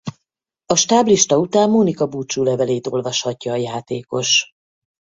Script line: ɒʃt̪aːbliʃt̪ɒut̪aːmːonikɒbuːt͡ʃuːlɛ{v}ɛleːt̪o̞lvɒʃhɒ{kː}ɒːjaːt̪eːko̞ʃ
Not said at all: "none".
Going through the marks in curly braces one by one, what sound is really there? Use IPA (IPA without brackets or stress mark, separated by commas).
v, cː